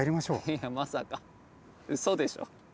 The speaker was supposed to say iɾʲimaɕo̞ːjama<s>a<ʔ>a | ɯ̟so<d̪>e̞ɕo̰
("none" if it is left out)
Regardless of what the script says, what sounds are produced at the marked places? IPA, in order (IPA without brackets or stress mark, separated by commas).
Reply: s, k, d̪